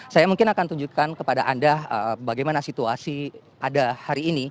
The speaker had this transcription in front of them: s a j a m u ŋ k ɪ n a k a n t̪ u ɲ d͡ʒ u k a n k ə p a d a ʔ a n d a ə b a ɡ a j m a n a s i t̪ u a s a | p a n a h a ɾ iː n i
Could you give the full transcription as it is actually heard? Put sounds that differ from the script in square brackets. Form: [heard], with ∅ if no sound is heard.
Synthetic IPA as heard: s a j a m u ŋ k ɪ n a k a n t̪ u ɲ d͡ʒ u k a n k ə p a d a ʔ a n d a ə b a ɡ a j m a n a s i t̪ u a s [i] | p a [d] a h a ɾ iː n i

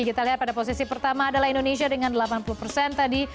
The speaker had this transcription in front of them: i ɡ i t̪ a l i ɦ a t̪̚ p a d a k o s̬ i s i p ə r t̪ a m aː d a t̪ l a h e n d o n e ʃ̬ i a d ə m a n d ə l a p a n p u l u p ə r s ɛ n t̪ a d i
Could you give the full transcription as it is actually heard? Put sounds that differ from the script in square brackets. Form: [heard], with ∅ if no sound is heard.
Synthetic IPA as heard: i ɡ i t̪ a l i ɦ a t̪̚ p a d a [p] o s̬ i s i p ə r t̪ a m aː d a [∅] l a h [i] n d o n e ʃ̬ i a d ə [ŋ] a n d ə l a p a n p u l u p ə r s ɛ n t̪ a d i

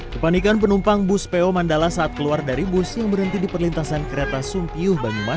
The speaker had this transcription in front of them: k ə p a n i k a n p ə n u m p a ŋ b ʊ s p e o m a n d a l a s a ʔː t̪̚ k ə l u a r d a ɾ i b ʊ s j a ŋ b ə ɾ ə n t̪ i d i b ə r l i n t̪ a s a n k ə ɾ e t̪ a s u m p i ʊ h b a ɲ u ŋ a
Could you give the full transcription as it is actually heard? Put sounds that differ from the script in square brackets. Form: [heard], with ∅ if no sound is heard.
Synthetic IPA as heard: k ə p a n i k a n p ə n u m p a ŋ b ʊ s p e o m a n d a l a s a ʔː t̪̚ k ə l u a r d a ɾ i b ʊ s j a ŋ b ə ɾ ə n t̪ i d i [p] ə r l i n t̪ a s a n k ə ɾ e t̪ a s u m p i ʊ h b a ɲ u [m] a

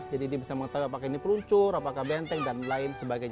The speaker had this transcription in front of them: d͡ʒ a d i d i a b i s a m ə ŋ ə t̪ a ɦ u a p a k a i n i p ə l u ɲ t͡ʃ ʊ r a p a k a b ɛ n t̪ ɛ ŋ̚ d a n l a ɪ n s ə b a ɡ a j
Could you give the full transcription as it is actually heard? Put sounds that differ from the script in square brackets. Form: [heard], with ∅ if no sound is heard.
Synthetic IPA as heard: d͡ʒ a d i d i a b i s a m ə ŋ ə t̪ a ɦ u a p a k a i n i p ə l u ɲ t͡ʃ ʊ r a p a k a b ɛ n t̪ ɛ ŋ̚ d a n l a ɪ n s ə b a ɡ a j

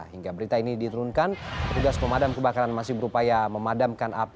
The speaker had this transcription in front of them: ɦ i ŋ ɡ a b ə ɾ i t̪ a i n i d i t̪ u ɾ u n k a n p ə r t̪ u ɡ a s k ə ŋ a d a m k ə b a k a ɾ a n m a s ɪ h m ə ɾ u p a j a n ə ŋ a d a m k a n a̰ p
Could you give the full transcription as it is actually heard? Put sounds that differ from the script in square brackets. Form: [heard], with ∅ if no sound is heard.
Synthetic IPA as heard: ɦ i ŋ ɡ a b ə ɾ i t̪ a i n i d i t̪ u ɾ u n k a n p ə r t̪ u ɡ a s [p] ə [m] a d a m k ə b a k a ɾ a n m a s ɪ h [b] ə ɾ u p a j a [m] ə [m] a d a m k a n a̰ p

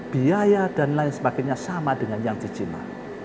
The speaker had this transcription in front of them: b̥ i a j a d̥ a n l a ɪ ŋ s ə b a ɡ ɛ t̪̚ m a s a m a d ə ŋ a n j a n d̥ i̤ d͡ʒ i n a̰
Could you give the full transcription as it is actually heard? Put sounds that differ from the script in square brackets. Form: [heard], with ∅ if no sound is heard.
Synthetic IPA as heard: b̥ i a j a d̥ a n l a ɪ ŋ s ə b a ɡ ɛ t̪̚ [ɲ] a s a m a d ə ŋ a n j a [ŋ] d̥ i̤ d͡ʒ i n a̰

